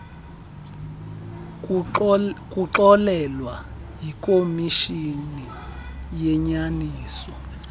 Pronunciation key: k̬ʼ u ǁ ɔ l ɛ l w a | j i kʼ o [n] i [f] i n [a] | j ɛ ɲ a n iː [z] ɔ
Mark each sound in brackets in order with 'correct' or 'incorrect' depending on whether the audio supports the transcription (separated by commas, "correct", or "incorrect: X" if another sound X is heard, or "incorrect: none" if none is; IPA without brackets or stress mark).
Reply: incorrect: m, incorrect: ʃ, incorrect: i, incorrect: s